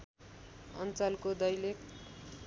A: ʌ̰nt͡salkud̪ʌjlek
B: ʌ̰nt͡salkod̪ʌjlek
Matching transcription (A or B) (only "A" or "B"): B